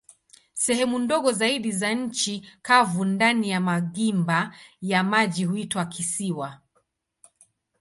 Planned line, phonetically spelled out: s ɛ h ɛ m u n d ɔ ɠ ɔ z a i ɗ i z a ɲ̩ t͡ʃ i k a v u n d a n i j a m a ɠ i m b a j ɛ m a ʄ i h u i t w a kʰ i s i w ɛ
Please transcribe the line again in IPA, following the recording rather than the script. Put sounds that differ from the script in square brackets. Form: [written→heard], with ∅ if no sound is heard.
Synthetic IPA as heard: s ɛ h ɛ m u n d ɔ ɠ ɔ z a i ɗ i z a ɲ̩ t͡ʃ i k a v u n d a n i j a m a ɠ i m b a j [ɛ→a] m a ʄ i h u i t w a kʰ i s i w [ɛ→a]